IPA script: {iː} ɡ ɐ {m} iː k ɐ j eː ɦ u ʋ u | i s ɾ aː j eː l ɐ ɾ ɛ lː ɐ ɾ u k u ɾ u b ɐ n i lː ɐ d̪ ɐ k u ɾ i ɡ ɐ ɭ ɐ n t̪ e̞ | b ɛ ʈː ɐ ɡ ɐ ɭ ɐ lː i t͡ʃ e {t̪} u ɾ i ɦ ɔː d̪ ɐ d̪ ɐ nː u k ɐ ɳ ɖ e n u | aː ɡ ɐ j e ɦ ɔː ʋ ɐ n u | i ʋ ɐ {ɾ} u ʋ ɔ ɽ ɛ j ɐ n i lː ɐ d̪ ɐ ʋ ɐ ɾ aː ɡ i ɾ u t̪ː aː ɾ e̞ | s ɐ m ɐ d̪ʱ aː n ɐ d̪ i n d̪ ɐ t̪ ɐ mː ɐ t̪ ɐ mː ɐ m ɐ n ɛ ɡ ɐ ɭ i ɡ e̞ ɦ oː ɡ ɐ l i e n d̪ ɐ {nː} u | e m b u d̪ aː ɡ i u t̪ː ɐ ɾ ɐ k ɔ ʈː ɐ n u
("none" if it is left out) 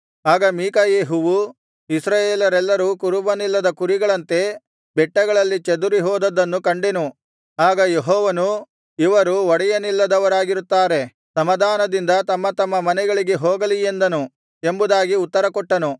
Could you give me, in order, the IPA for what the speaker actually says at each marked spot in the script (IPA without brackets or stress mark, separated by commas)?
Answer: aː, m, d̪, ɾ, n